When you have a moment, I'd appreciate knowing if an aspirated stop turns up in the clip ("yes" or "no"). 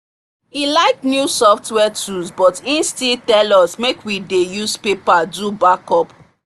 no